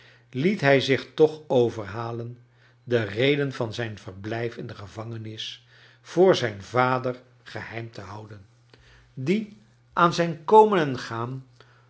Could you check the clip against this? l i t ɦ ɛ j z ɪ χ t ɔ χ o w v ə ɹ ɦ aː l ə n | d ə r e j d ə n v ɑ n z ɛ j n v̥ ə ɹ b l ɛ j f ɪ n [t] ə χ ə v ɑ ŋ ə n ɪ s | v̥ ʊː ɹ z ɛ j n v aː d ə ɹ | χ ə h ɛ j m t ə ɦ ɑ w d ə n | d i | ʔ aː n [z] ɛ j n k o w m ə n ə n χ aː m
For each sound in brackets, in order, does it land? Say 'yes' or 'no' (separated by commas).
no, yes